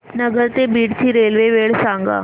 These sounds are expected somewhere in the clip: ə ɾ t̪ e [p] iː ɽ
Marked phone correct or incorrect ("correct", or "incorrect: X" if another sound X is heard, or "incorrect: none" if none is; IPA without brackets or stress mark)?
incorrect: b